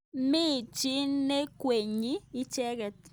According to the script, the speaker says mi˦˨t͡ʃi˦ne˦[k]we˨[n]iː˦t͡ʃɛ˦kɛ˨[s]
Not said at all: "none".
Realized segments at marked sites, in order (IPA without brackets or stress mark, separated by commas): k, ɲ, t